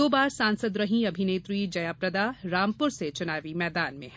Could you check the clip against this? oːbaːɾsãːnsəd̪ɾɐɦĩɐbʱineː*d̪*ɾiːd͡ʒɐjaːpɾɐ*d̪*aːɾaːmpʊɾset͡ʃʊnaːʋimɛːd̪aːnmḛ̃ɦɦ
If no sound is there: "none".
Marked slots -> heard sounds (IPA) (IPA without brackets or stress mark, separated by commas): t̪, d̪